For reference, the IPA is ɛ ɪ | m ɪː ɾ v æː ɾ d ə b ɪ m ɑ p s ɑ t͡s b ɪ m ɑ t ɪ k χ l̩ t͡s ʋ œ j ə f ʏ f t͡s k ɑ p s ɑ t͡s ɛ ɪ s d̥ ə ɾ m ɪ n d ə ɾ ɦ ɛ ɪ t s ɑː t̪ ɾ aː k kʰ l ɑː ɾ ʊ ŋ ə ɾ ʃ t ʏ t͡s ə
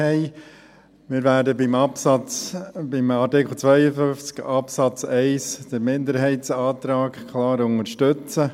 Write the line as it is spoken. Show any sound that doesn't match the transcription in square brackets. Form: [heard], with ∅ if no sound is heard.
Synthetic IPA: ɛ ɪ | m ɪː ɾ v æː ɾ d ə b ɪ m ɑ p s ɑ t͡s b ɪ m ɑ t ɪ k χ l̩ t͡s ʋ œ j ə f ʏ f t͡s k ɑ p s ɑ t͡s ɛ ɪ s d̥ ə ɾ m ɪ n d ə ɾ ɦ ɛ ɪ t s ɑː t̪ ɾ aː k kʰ l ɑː ɾ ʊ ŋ ə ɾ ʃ t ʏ t͡s ə